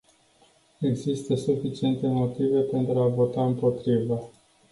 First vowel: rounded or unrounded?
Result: unrounded